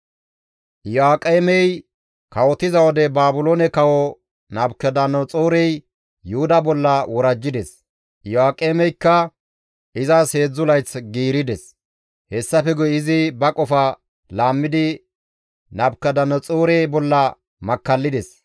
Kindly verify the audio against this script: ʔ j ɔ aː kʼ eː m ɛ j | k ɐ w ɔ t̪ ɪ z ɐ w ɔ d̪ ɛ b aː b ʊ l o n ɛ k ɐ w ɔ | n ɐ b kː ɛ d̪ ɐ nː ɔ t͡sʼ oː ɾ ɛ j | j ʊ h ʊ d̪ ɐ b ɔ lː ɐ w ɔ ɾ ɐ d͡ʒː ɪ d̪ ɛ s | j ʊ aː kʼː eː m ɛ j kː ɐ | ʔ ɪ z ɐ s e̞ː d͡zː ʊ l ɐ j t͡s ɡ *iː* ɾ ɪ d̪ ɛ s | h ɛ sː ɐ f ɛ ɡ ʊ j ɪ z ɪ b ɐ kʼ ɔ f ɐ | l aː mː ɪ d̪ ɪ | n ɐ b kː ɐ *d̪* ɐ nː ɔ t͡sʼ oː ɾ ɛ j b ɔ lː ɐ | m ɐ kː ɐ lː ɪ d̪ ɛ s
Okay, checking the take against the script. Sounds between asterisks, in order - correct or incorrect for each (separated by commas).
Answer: correct, correct